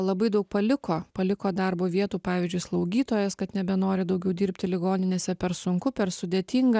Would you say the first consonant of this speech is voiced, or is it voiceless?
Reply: voiced